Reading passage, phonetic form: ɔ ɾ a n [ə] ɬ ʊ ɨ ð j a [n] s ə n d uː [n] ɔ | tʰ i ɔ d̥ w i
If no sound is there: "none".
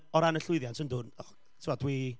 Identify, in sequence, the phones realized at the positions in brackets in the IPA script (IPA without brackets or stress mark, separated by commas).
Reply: ə, n, n